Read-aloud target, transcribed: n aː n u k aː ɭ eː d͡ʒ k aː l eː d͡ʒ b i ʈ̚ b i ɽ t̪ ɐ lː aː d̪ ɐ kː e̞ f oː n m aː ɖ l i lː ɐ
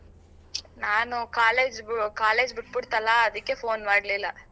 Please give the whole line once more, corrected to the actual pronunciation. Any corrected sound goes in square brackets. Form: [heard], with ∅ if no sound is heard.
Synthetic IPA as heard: n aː n u k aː [l] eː d͡ʒ k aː l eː d͡ʒ b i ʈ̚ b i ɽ t̪ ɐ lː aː d̪ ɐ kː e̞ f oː n m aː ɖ l i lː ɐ